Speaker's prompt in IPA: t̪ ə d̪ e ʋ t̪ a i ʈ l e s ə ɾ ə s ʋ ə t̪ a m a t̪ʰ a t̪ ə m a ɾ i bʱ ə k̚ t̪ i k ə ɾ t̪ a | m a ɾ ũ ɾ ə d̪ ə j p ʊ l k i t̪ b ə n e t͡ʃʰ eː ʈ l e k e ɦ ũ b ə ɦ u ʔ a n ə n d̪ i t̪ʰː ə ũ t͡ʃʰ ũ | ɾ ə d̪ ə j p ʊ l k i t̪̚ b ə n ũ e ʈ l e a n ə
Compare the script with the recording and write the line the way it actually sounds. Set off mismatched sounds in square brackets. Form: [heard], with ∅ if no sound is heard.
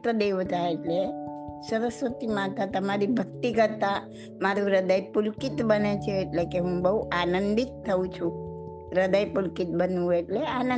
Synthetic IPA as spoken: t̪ ə d̪ e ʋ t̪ a [e] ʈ l e s ə ɾ ə s ʋ ə t̪ [i] m a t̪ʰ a t̪ ə m a ɾ i bʱ ə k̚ t̪ i k ə ɾ t̪ a | m a ɾ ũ ɾ ə d̪ ə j p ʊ l k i t̪ b ə n e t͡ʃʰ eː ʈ l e k e ɦ ũ b ə ɦ u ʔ a n ə n d̪ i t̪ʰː ə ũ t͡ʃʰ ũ | ɾ ə d̪ ə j p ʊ l k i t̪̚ b ə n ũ e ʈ l e a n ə